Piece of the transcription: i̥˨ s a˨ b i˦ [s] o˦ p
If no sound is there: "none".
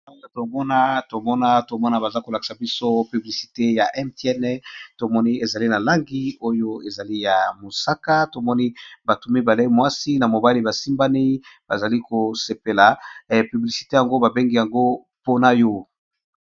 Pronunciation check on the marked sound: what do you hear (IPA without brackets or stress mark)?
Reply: s